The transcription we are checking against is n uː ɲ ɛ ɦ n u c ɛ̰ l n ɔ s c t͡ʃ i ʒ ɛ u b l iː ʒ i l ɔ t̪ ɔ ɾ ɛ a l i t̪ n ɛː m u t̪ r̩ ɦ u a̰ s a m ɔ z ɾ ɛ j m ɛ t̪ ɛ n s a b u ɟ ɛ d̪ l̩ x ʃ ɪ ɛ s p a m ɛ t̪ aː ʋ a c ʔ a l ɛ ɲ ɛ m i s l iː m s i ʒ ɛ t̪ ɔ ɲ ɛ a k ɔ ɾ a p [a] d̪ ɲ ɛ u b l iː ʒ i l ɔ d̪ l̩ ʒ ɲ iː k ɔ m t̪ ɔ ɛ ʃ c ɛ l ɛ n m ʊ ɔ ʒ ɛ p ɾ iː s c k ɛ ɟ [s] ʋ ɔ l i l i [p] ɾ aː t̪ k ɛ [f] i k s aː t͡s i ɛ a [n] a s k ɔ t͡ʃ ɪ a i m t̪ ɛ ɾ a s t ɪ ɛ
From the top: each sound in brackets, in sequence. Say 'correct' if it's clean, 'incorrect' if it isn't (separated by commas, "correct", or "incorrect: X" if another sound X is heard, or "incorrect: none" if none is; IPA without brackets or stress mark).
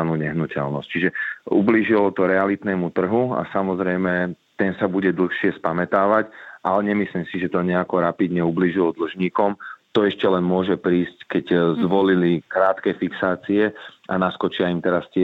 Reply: incorrect: i, incorrect: z, incorrect: k, correct, correct